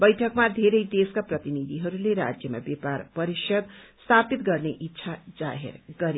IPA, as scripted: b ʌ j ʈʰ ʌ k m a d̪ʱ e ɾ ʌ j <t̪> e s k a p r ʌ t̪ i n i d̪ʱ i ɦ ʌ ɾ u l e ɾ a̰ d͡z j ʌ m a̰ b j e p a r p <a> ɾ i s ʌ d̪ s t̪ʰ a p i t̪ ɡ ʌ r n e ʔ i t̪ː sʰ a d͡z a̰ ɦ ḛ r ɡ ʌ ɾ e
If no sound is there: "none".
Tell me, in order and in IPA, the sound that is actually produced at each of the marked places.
d̪, ʌ

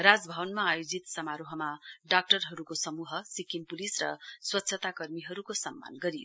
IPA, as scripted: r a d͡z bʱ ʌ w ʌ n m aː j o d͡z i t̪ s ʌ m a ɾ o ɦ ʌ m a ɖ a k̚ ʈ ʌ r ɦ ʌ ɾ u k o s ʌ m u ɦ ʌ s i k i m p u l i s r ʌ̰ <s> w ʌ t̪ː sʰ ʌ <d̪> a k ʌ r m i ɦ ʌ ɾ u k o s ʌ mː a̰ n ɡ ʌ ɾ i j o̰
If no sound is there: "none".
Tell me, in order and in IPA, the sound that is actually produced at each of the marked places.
s, t̪

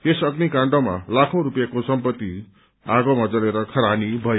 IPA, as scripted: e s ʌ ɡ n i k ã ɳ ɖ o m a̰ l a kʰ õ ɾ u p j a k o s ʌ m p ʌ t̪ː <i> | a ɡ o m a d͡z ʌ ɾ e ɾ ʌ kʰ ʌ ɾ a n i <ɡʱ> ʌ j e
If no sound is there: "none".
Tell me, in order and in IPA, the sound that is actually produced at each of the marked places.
i, bʱ

